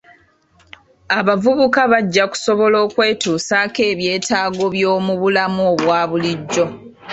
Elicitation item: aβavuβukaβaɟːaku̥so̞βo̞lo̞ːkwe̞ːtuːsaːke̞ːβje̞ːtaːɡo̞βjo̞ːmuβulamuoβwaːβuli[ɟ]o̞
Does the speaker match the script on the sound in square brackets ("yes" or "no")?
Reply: no